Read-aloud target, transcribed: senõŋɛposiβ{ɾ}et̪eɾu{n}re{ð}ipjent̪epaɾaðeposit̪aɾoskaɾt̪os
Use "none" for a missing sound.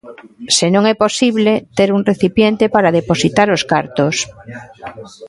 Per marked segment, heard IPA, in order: l, ŋ, θ

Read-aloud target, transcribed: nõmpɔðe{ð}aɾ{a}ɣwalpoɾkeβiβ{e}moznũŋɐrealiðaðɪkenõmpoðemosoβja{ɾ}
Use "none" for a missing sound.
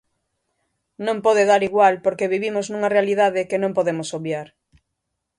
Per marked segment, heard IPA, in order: ð, i, i, ɾ

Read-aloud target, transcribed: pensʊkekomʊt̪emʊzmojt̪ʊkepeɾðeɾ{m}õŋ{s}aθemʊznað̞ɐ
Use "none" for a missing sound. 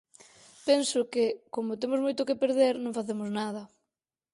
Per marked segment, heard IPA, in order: n, f

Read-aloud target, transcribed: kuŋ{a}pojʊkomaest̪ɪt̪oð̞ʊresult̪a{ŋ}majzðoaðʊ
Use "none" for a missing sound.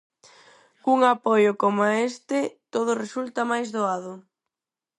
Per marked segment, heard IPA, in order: a, none

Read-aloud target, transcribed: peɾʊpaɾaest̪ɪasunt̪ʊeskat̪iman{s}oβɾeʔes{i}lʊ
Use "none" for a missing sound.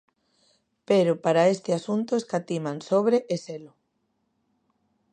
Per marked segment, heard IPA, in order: s, e

